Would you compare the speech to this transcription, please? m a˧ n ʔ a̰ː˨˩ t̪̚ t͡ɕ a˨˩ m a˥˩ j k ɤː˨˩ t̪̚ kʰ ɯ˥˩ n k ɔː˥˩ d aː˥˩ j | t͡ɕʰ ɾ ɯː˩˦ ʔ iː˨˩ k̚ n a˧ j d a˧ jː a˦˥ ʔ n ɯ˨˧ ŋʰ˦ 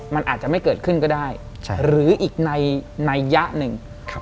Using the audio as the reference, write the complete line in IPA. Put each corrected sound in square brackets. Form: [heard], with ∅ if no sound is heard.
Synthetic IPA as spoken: m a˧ n ʔ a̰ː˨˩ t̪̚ t͡ɕ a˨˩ m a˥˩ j k ɤː˨˩ t̪̚ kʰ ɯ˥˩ n k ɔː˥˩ d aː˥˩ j | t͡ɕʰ ɾ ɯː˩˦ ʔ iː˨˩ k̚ n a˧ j [n] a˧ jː a˦˥ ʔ n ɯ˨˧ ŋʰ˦